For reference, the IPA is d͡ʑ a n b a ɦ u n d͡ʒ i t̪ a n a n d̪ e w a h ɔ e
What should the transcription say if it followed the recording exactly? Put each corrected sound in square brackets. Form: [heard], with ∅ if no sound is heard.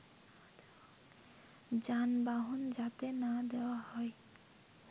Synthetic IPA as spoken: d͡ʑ a n b a ɦ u n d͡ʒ [a] t̪ [e] n a [∅] d̪ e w a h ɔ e